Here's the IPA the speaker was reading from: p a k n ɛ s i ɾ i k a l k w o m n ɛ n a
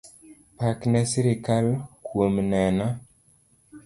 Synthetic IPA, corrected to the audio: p a k n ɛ s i ɾ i k a l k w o m n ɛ n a